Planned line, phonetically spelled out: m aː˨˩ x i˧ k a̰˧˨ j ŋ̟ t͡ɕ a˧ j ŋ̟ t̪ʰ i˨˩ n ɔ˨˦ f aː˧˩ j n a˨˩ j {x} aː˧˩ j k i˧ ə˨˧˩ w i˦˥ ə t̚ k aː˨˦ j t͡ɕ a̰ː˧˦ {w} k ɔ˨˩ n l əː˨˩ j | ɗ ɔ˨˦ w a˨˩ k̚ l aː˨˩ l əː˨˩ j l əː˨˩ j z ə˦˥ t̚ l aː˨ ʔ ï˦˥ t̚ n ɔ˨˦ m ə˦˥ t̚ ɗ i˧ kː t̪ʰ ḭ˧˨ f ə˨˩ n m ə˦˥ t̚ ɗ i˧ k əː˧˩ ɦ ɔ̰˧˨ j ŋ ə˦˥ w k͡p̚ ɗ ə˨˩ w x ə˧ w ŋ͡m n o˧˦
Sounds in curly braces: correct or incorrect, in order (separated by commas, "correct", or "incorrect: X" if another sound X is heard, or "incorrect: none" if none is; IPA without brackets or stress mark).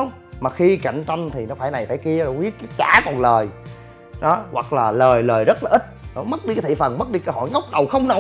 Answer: incorrect: f, incorrect: none